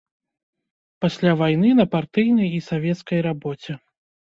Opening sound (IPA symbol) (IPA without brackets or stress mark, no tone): p